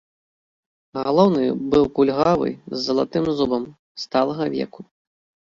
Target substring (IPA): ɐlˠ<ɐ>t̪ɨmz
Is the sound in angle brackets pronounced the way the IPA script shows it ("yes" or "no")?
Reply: no